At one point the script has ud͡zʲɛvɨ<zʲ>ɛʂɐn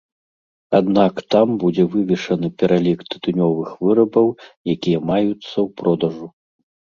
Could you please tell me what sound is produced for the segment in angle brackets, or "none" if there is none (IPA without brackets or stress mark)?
vʲ